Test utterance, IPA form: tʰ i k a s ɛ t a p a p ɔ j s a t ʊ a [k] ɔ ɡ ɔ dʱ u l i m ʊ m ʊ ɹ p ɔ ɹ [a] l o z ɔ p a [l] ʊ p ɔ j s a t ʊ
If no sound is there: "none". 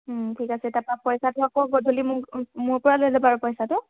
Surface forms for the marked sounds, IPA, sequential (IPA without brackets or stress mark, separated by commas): k, a, ɹ